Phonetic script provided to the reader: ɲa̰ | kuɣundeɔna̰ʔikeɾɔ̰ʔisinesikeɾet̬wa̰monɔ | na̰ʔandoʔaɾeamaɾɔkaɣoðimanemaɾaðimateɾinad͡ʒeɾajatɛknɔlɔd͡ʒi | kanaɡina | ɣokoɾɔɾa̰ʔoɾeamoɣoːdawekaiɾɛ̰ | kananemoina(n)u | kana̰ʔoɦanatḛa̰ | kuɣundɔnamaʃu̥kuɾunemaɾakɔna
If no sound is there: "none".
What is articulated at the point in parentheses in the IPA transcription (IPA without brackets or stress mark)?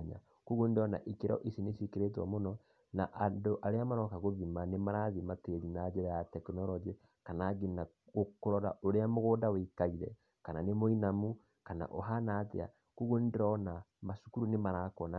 m